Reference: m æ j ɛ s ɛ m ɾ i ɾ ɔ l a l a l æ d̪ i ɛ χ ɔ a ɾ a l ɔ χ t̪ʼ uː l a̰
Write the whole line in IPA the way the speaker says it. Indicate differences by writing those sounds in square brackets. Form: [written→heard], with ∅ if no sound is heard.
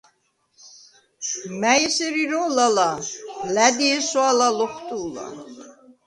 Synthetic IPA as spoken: m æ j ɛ s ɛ [m→∅] ɾ i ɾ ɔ l a l a l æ d̪ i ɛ [χ→s] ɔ a [ɾ→l] a l ɔ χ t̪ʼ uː l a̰